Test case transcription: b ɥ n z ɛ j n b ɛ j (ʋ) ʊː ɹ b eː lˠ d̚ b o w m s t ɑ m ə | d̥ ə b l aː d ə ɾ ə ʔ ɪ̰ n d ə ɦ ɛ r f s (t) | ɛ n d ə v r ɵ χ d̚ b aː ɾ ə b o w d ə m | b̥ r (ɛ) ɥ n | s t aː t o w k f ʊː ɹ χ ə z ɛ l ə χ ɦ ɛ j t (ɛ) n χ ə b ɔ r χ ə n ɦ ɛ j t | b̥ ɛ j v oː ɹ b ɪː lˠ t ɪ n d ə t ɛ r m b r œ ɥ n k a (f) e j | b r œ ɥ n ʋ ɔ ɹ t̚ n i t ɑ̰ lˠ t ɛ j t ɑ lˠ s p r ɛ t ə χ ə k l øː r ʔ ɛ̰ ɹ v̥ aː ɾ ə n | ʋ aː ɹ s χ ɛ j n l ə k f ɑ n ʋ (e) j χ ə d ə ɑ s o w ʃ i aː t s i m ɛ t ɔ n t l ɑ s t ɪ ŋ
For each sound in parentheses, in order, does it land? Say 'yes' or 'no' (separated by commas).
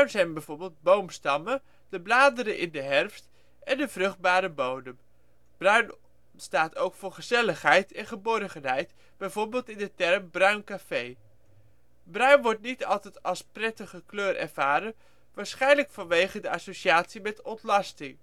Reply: no, yes, no, yes, yes, yes